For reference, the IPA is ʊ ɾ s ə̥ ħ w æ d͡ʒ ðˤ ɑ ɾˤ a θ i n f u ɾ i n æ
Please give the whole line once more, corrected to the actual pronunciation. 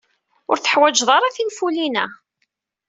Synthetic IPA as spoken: ʊ ɾ θ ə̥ ħ w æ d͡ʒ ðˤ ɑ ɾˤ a θ i n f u l i n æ

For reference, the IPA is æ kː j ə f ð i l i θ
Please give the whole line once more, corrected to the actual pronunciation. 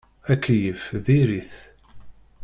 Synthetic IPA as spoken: æ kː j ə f ð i ɾ i θ

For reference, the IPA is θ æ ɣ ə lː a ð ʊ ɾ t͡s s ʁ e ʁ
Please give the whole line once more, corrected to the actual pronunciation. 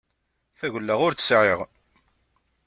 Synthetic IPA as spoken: θ æ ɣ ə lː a ʁ ʊ ɾ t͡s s ʕ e ʁ

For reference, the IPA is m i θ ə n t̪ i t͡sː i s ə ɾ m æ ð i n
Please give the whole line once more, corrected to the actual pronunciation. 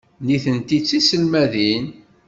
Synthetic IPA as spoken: n i θ ə n t̪ i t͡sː i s ə l m æ ð i n

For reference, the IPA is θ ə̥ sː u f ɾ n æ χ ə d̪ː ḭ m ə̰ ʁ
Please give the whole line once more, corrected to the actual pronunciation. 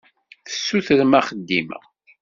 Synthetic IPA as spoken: θ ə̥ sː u θ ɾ m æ χ ə d̪ː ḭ m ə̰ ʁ

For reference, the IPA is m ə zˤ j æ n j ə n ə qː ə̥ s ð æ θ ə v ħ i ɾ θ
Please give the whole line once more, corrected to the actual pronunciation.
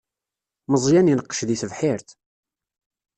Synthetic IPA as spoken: m ə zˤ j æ n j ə n ə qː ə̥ ʃ ð i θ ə v ħ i ɾ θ

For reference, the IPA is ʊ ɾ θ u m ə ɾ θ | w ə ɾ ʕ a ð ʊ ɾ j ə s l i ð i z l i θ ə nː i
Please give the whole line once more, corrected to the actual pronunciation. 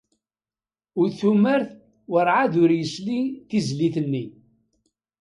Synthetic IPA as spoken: ʊ ɾ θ u m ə ɾ θ | w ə ɾ ʕ a ð ʊ ɾ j ə s l i θ i z l i θ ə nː i

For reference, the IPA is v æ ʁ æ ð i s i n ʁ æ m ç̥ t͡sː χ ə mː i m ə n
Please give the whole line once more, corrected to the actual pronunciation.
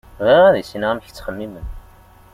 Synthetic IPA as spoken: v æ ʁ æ ð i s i n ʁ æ m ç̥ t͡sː χ ə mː i m ə n

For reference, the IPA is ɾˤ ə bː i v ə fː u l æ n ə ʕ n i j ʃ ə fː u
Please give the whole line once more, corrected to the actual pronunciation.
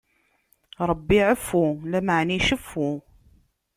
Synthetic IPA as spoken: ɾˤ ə bː i ʕ ə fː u l æ m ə ʕ n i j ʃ ə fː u

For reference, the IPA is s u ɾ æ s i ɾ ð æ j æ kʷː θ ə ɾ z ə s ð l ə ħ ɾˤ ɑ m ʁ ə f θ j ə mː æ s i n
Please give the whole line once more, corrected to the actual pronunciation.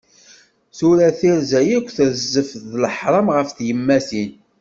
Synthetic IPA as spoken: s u ɾ æ θ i ɾ z æ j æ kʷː θ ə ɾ z ə f ð l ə ħ ɾˤ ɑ m ʁ ə f θ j ə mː æ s i n

